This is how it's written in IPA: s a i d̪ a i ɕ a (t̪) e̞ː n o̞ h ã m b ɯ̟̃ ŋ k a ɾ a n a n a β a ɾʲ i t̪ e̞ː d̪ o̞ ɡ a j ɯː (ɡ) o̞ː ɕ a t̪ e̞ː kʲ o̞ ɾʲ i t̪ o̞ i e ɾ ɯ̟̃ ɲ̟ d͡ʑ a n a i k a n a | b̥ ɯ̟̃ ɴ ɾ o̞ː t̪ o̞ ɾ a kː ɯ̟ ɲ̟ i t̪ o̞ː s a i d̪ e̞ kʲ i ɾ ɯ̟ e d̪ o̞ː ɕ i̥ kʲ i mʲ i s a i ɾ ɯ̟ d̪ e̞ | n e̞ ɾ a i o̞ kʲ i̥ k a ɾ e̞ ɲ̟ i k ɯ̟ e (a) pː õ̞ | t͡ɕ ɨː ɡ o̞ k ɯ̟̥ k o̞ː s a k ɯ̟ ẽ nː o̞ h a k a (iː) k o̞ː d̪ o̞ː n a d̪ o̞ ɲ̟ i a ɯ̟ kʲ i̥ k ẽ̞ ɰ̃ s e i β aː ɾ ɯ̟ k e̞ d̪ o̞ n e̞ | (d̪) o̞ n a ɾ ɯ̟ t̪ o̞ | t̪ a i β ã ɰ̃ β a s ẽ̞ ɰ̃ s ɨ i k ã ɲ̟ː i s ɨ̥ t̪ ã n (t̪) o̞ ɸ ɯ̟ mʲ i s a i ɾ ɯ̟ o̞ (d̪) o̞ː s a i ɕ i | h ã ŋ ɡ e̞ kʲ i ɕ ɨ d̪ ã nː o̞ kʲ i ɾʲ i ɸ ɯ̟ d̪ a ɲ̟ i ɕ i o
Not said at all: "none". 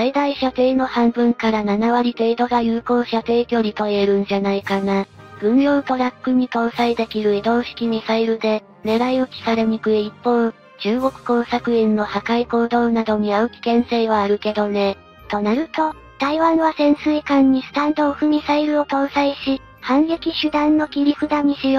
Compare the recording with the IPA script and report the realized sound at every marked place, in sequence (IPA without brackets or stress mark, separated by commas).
t̪, k, i, i, t̪, d̪, t̪